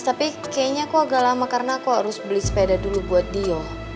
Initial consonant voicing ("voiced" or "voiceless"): voiceless